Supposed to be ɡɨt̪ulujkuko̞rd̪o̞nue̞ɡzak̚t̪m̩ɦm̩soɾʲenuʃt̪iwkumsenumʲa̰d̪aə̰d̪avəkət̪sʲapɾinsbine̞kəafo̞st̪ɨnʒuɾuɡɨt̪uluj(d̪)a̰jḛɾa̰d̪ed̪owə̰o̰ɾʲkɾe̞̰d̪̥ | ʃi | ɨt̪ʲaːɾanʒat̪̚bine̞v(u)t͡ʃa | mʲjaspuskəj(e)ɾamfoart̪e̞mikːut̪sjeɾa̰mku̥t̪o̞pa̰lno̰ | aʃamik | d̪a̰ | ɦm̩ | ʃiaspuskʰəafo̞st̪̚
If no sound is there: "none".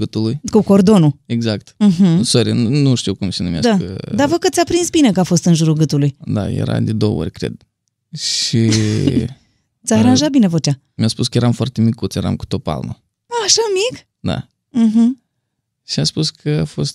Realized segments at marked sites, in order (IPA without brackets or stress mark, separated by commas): d̪, o, e